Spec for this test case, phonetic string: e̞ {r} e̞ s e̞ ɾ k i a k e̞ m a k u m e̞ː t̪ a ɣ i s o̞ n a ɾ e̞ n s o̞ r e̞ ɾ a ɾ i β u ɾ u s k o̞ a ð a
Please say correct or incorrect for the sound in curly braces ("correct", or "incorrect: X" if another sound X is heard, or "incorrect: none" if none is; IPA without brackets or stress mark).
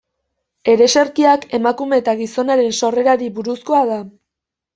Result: incorrect: ɾ